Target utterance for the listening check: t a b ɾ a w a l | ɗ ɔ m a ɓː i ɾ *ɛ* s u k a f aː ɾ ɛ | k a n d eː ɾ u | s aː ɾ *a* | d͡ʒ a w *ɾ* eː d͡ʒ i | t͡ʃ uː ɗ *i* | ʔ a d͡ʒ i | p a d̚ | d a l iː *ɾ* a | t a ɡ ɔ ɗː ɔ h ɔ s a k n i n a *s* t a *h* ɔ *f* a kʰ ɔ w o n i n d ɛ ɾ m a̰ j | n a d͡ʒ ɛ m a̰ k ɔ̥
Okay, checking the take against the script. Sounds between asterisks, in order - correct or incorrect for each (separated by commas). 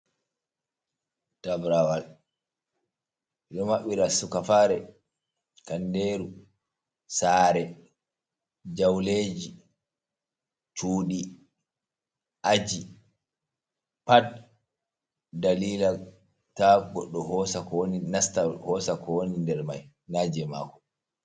incorrect, incorrect, incorrect, correct, incorrect, correct, correct, incorrect